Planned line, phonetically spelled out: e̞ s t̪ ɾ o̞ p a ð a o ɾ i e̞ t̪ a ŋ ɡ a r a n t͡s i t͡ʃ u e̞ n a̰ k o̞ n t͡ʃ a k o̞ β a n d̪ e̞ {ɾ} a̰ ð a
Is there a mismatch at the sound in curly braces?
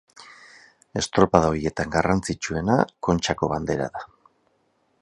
no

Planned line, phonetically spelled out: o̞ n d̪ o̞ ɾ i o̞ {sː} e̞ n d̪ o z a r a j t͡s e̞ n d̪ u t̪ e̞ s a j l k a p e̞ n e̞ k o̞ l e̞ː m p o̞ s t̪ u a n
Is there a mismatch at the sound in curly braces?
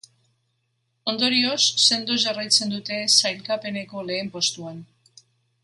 no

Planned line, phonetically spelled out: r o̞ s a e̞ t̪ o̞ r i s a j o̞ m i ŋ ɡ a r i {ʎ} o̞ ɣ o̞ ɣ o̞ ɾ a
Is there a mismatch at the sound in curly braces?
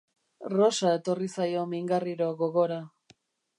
yes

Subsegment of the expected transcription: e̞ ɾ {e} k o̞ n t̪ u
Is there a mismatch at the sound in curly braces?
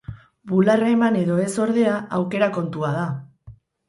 yes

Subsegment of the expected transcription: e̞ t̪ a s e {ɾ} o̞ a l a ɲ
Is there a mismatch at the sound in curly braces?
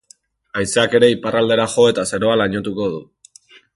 no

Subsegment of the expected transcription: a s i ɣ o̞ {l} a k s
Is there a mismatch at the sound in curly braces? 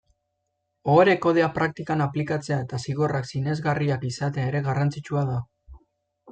yes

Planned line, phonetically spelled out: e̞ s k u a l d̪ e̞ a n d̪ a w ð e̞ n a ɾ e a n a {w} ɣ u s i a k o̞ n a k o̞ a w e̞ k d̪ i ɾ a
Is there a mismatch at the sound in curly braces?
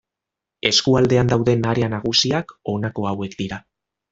yes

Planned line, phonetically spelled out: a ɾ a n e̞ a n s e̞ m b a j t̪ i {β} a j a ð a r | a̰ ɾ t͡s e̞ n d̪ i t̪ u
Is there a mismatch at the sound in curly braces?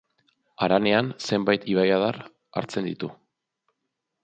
no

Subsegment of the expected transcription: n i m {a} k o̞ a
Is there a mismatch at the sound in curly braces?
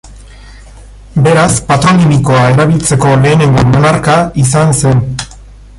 yes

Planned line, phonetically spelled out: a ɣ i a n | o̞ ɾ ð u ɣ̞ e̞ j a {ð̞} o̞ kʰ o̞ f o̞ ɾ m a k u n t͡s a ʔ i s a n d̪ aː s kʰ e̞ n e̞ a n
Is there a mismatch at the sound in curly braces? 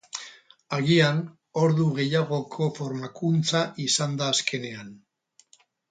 yes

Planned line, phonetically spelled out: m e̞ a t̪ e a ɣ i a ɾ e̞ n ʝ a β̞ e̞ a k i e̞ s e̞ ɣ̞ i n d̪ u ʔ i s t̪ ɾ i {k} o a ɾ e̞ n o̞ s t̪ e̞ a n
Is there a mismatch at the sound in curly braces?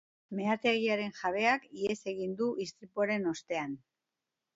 yes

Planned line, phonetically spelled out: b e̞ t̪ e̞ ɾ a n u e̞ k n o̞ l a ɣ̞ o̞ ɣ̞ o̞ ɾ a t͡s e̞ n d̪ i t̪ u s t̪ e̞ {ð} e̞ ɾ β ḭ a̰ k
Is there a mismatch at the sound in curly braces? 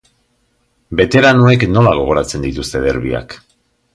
no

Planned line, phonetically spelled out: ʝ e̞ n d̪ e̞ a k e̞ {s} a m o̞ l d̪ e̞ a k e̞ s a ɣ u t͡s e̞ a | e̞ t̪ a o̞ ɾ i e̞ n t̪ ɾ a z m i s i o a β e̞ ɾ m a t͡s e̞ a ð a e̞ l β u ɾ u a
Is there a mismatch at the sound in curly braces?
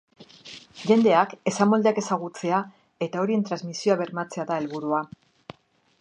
no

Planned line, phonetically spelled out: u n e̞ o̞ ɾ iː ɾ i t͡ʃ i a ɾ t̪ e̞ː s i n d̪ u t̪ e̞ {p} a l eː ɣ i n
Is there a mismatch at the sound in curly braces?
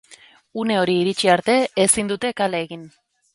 yes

